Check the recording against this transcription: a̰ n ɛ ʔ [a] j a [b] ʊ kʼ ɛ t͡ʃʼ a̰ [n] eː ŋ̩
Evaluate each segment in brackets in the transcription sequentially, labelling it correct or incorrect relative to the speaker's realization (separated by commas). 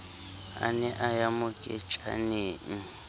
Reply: correct, incorrect, correct